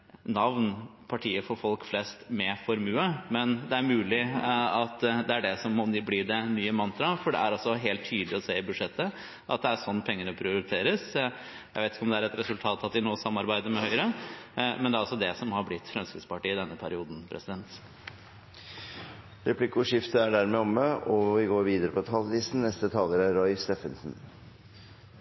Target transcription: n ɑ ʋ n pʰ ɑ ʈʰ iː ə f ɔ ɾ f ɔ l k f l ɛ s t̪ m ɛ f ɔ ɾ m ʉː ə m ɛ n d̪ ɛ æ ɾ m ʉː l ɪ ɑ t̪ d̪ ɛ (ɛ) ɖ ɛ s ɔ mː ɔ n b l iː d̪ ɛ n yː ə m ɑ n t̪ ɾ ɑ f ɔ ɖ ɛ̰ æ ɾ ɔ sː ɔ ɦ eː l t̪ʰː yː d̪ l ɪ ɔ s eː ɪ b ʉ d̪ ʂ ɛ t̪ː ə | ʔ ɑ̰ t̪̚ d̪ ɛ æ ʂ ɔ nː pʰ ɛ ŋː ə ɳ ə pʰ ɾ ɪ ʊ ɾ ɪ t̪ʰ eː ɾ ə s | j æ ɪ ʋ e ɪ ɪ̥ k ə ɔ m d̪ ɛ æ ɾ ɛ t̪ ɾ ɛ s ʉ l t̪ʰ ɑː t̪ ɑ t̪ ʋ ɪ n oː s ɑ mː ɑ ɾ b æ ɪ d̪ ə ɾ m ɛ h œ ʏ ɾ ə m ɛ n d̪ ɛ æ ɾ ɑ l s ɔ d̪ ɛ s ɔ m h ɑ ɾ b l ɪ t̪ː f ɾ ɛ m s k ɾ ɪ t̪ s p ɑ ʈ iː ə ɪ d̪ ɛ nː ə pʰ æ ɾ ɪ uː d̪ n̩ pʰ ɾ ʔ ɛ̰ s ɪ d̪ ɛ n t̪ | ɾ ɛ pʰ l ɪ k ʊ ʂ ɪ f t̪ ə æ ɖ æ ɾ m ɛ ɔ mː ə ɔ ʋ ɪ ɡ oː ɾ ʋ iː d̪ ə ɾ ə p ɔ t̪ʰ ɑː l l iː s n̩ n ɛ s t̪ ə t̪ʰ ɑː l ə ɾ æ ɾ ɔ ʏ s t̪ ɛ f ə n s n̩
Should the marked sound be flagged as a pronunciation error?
yes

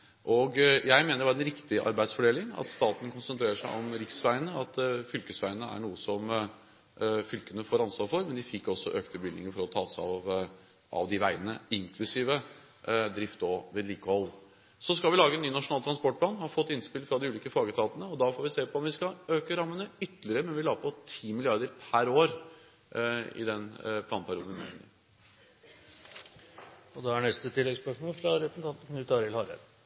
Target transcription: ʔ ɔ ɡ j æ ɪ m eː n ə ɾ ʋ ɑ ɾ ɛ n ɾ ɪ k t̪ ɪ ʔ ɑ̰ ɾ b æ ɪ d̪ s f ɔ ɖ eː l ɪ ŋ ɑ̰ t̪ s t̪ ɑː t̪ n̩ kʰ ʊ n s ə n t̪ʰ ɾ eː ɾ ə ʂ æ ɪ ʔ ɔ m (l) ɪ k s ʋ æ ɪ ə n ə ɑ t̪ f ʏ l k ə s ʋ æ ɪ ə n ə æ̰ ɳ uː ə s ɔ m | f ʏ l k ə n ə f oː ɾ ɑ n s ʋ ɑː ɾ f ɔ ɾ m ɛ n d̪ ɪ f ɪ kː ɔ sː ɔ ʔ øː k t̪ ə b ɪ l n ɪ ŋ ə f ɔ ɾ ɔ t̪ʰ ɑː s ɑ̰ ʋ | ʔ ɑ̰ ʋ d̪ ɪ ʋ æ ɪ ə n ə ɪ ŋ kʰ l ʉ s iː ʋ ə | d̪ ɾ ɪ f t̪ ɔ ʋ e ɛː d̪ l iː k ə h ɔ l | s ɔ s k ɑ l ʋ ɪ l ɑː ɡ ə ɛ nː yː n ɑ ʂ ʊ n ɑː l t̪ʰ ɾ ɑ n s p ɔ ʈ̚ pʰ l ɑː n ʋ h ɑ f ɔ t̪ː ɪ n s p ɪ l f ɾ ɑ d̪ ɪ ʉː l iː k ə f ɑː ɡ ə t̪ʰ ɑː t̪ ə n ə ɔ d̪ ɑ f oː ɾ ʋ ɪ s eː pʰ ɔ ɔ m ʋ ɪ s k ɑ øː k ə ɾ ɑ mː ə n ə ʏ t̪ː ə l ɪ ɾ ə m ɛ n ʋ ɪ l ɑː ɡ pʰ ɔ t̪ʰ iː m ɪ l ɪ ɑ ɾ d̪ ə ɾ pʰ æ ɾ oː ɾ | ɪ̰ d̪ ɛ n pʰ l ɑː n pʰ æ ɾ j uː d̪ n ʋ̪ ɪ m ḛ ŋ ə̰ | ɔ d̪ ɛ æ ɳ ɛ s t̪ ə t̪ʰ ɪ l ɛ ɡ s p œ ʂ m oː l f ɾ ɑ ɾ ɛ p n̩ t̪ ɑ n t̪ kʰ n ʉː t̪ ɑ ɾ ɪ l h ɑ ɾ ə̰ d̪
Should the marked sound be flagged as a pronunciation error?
yes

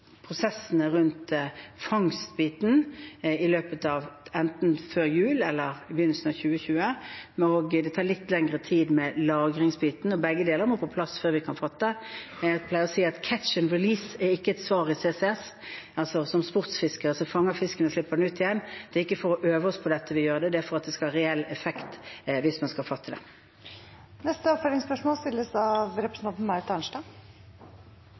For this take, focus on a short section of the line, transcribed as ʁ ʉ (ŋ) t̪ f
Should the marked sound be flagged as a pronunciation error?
yes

